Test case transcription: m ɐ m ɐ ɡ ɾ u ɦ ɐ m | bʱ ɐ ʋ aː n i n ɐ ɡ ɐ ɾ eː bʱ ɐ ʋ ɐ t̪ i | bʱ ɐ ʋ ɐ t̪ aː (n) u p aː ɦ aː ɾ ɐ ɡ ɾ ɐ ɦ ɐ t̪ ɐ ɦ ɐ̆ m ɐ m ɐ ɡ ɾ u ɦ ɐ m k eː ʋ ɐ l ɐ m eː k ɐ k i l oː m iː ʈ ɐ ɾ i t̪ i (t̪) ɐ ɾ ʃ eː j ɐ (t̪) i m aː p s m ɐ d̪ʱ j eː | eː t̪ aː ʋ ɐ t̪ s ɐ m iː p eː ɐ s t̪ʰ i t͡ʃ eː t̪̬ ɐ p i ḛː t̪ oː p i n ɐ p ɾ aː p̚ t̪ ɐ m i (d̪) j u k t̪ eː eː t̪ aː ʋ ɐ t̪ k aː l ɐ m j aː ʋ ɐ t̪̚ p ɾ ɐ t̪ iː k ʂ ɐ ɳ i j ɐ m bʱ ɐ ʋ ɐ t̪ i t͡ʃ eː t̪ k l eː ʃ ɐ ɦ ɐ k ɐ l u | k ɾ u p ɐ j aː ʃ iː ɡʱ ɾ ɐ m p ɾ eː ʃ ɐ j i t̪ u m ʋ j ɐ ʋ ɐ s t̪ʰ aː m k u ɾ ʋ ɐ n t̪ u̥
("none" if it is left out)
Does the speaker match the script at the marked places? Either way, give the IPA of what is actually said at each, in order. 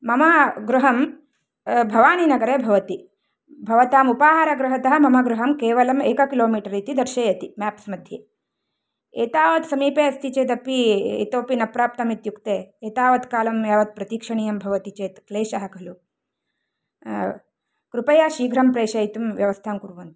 m, d̪, t̪, t̪

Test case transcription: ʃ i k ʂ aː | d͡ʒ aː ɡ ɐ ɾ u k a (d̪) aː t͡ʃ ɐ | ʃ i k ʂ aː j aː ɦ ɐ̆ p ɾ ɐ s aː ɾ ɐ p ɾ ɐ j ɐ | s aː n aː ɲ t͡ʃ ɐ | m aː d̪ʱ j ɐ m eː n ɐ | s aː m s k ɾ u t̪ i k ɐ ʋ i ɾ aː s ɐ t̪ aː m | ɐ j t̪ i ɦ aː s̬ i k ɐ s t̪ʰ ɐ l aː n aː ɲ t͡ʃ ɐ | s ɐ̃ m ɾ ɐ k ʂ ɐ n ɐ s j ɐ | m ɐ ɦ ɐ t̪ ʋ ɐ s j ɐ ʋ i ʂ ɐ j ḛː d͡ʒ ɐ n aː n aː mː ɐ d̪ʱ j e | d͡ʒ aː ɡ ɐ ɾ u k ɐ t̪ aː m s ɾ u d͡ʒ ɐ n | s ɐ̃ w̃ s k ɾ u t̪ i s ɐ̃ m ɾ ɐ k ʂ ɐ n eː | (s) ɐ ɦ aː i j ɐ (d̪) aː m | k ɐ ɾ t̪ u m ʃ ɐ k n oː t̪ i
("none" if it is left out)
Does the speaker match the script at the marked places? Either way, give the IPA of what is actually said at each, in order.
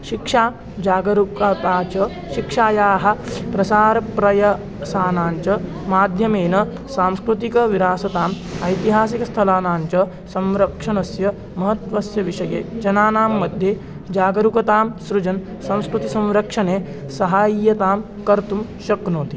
t̪, s, t̪

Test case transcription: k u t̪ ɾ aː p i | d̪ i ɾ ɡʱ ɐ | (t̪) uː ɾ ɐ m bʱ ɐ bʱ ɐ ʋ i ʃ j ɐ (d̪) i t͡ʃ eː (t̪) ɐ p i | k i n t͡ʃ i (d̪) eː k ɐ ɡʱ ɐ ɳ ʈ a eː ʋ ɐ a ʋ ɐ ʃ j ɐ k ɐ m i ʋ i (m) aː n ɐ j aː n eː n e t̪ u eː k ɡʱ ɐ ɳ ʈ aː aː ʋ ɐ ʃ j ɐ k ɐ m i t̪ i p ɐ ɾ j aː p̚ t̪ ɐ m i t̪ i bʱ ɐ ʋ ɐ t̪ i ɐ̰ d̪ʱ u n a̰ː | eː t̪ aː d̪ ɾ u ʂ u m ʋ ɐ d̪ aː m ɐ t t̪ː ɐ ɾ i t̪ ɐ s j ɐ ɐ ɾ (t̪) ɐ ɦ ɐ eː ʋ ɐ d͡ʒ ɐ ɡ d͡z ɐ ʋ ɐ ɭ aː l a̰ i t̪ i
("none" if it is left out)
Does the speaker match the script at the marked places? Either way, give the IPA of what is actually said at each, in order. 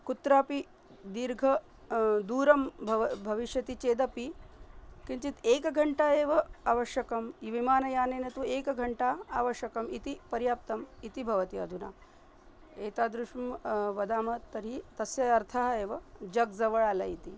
d̪, t̪, d̪, t̪, m, t̪ʰ

